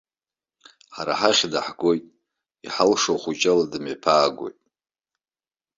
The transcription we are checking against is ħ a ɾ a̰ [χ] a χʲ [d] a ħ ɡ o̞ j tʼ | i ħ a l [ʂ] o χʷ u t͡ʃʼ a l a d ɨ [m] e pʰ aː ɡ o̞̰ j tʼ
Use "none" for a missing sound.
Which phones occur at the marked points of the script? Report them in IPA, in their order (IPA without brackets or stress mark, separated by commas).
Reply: ħ, d, ʂ, m